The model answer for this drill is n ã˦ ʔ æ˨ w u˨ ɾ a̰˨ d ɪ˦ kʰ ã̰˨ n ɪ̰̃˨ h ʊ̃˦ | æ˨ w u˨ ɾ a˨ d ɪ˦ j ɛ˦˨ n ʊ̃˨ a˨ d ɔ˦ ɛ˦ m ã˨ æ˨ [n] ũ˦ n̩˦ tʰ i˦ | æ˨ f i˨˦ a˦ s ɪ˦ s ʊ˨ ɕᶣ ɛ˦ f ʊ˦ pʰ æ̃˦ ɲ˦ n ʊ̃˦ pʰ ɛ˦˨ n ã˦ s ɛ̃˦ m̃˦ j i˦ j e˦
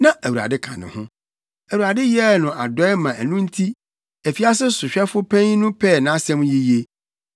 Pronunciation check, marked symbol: correct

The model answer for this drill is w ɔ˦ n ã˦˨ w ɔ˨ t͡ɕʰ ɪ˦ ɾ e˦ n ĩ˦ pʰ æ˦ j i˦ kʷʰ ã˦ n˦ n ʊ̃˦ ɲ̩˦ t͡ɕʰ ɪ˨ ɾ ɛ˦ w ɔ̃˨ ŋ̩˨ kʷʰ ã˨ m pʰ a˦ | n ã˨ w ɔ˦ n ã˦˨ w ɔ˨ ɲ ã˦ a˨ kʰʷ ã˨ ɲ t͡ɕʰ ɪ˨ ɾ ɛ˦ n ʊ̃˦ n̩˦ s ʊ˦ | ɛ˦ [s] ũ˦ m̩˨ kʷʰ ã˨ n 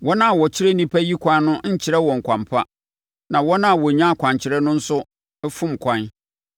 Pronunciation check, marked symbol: incorrect: f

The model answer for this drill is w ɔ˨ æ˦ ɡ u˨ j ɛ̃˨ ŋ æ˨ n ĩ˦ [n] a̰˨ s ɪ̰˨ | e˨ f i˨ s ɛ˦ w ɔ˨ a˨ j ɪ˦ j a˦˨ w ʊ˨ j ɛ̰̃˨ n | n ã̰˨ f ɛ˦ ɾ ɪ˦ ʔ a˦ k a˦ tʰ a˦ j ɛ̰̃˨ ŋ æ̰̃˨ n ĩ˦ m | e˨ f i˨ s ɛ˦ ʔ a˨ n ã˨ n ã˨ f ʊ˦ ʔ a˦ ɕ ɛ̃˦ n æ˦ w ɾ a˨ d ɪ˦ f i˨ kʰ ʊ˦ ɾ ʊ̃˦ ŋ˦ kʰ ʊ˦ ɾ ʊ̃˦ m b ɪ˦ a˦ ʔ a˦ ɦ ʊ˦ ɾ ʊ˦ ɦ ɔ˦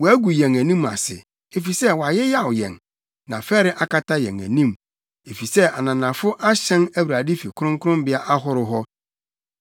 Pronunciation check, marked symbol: incorrect: m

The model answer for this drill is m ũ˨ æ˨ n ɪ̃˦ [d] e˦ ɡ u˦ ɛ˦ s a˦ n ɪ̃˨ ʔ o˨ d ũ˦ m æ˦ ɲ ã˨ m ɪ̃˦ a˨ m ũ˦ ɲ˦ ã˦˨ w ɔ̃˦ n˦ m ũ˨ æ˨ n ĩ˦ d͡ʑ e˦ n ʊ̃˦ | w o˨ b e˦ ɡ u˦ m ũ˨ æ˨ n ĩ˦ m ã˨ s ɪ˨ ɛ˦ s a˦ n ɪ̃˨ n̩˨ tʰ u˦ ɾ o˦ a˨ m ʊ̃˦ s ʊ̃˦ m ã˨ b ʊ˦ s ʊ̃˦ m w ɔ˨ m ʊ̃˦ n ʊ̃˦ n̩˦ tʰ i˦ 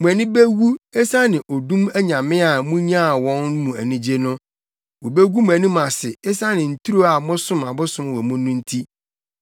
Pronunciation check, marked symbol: incorrect: b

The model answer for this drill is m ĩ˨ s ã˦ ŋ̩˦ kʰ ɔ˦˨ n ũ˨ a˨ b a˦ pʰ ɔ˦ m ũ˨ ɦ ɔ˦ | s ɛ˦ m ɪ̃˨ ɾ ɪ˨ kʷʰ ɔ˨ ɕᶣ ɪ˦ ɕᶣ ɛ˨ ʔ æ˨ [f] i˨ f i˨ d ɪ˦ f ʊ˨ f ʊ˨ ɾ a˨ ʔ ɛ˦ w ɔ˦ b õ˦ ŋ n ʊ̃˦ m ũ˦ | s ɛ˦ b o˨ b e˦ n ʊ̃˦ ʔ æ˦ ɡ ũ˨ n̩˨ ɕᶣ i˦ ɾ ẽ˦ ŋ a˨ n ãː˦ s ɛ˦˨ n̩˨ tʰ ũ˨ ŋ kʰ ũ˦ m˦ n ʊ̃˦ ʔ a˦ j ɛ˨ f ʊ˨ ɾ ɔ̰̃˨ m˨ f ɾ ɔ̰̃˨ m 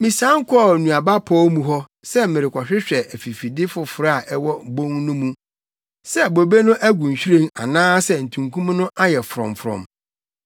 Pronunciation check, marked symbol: correct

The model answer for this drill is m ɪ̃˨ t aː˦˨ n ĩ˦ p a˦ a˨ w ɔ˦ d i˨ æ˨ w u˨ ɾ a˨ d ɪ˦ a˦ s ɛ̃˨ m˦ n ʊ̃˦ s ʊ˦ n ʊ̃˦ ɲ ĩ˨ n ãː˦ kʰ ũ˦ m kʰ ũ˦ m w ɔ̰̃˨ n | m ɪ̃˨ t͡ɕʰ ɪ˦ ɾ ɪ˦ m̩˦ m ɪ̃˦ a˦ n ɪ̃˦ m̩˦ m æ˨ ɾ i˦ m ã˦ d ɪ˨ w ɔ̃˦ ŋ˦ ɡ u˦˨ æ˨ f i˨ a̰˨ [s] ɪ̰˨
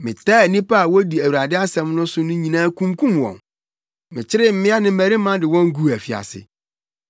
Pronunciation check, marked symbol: correct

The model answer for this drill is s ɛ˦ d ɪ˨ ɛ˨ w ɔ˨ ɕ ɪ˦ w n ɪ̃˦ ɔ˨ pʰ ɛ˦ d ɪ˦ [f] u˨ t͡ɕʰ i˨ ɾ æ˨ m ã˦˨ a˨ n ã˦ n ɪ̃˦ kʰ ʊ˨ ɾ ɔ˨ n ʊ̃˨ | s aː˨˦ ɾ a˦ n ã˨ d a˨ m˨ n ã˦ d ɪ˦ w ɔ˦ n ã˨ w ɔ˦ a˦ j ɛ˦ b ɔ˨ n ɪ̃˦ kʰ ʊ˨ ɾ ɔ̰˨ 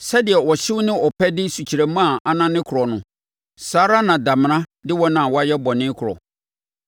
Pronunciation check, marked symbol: incorrect: s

